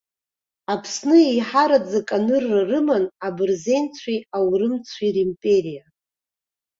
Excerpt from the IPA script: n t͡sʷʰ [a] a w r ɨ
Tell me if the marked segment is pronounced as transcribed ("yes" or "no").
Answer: no